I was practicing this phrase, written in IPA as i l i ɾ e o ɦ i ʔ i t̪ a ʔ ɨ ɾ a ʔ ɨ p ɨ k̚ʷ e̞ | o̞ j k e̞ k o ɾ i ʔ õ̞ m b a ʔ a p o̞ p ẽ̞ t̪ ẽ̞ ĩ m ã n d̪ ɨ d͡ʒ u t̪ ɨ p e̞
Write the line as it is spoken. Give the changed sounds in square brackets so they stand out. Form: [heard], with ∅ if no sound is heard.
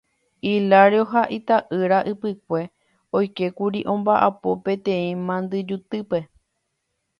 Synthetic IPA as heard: i l [a] ɾ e o ɦ [a] ʔ i t̪ a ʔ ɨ ɾ a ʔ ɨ p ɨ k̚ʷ e̞ | o̞ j k e̞ k [u] ɾ i ʔ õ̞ m b a ʔ a p o̞ p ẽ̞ t̪ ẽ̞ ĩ m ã n d̪ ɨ d͡ʒ u t̪ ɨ p e̞

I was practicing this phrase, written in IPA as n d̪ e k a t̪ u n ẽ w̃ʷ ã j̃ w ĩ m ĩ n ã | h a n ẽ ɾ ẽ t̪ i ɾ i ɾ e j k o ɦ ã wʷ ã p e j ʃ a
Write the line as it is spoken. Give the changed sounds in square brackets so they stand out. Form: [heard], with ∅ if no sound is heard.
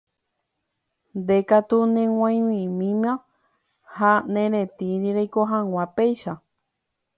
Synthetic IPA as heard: n d̪ e k a t̪ u n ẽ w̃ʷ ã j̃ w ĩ m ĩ [m] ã | h a n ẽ ɾ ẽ t̪ i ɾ i ɾ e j k o ɦ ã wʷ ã p e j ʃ a

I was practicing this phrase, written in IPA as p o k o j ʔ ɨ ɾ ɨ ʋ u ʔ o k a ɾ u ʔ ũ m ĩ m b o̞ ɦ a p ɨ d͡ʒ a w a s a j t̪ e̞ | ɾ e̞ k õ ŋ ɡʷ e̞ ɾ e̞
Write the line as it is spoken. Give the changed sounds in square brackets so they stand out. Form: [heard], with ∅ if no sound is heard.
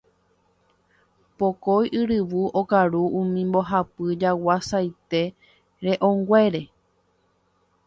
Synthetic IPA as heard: p o k o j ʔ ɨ ɾ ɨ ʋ u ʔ o k a ɾ u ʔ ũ m ĩ m b o̞ ɦ a p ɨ d͡ʒ a w a s a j t̪ e̞ | ɾ e̞ [ʔ] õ ŋ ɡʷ e̞ ɾ e̞

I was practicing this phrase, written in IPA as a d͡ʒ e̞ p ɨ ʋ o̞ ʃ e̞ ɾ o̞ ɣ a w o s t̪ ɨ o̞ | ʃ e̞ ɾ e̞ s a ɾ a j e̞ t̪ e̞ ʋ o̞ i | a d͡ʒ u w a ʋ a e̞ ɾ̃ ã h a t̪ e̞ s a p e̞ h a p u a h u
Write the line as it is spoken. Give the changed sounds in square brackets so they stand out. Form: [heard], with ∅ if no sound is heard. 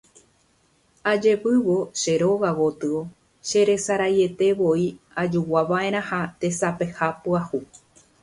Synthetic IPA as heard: a d͡ʒ e̞ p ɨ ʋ o̞ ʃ e̞ ɾ o̞ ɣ a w o [∅] t̪ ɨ o̞ | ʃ e̞ ɾ e̞ s a ɾ a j e̞ t̪ e̞ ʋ o̞ i | a d͡ʒ u w a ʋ a e̞ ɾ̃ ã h a t̪ e̞ s a p e̞ h a p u a h u

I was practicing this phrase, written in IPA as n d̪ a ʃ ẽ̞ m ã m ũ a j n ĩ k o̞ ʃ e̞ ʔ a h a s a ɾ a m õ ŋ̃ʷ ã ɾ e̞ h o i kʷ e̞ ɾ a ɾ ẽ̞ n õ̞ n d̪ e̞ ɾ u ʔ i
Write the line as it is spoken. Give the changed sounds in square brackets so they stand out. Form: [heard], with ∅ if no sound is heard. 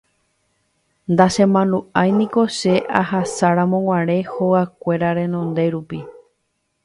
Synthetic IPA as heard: n d̪ a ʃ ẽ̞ m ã [n] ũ a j n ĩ k o̞ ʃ e̞ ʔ a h a s a ɾ a m õ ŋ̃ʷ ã ɾ e̞ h o [a] kʷ e̞ ɾ a ɾ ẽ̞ n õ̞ n d̪ e̞ ɾ u [p] i

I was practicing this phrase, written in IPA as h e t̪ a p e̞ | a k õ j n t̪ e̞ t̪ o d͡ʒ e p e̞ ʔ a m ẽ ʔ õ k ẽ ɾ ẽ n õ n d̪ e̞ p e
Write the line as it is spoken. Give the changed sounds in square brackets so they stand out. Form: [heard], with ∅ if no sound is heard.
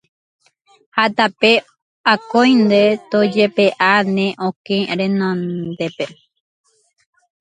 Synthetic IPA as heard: h [a] t̪ a p e̞ | a k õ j n [d̪] e̞ t̪ o d͡ʒ e p e̞ ʔ a [n] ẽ ʔ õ k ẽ ɾ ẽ n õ n d̪ e̞ p e

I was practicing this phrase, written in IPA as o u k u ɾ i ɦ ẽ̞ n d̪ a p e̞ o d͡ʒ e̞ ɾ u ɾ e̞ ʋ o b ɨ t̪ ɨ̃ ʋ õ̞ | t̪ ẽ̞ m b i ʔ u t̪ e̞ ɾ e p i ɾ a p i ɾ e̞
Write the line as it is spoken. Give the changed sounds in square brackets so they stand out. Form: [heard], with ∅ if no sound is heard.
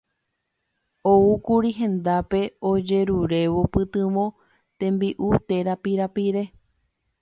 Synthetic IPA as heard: o u k u ɾ i ɦ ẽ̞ n d̪ a p e̞ o d͡ʒ e̞ ɾ u ɾ e̞ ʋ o [p] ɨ t̪ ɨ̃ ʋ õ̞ | t̪ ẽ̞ m b i ʔ u t̪ e̞ ɾ [a] p i ɾ a p i ɾ e̞

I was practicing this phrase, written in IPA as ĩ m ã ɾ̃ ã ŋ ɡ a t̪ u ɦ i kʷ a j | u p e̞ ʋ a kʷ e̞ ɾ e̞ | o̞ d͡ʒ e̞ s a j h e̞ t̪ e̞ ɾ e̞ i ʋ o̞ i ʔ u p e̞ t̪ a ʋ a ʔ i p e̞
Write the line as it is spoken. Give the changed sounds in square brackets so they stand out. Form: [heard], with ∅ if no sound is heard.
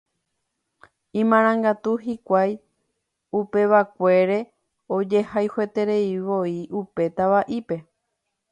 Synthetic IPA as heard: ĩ m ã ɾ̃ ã ŋ ɡ a t̪ u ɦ i kʷ a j | u p e̞ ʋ a kʷ e̞ ɾ e̞ | o̞ d͡ʒ e̞ [h] a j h e̞ t̪ e̞ ɾ e̞ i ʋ o̞ i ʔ u p e̞ t̪ a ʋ a ʔ i p e̞

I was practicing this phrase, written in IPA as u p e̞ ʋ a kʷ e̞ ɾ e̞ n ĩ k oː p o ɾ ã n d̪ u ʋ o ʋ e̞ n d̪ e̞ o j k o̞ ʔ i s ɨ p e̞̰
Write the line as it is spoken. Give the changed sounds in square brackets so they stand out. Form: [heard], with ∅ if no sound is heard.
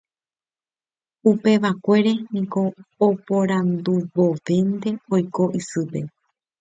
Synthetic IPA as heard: u p e̞ ʋ a kʷ e̞ ɾ e̞ n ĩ k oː p o ɾ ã n d̪ u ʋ o ʋ e̞ n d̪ e̞ o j k o̞ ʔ i s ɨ p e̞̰

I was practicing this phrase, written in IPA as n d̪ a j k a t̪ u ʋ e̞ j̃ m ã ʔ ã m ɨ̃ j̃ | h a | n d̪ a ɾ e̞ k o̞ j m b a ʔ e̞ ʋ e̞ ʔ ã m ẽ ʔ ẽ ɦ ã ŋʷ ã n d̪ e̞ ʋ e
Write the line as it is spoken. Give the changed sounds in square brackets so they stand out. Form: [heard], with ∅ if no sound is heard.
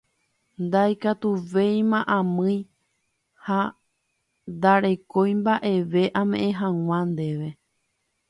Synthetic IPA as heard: n d̪ a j k a t̪ u ʋ e̞ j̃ m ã ʔ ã m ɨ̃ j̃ | h a | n d̪ a ɾ e̞ k o̞ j m b a ʔ e̞ ʋ e̞ ʔ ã m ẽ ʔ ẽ ɦ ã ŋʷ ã n d̪ e̞ ʋ e

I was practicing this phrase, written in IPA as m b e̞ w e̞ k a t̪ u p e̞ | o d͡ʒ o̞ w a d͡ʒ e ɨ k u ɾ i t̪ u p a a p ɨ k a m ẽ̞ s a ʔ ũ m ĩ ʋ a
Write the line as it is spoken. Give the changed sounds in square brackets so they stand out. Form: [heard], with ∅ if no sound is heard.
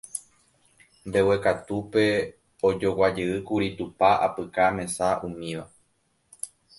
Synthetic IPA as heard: m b e̞ w e̞ k a t̪ u p e̞ | o d͡ʒ o̞ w a d͡ʒ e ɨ k u ɾ i t̪ u p a a p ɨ k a m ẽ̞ s a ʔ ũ m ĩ ʋ a

